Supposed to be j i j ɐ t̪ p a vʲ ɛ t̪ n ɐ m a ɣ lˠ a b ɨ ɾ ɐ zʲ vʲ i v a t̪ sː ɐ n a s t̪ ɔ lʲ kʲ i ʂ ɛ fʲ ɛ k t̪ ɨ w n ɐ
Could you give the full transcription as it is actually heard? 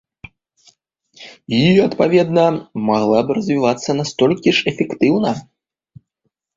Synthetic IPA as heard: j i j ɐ t̪ p a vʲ ɛ d̪ n ɐ m a ɣ lˠ a b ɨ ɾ ɐ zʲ vʲ i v a t̪ sː ɐ n a s t̪ ɔ lʲ kʲ i ʂ ɛ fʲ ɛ k t̪ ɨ w n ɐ